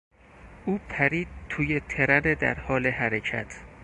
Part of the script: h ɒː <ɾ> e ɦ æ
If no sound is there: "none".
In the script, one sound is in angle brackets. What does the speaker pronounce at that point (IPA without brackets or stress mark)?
l